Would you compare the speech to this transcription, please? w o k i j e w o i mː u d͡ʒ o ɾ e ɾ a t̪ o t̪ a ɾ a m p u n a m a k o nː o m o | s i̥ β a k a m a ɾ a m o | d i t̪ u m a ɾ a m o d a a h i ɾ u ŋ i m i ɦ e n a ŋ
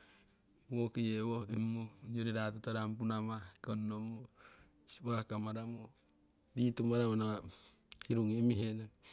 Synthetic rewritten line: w o k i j e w o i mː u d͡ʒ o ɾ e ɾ a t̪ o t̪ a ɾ a m p u n a m a k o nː o m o | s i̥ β a k a m a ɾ a m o | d i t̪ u m a ɾ a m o n a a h i ɾ u ŋ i m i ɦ e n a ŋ